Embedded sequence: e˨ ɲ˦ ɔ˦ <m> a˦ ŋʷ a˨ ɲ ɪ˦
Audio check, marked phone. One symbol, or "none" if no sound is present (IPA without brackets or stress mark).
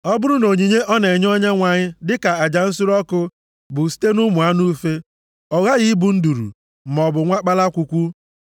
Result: ɲ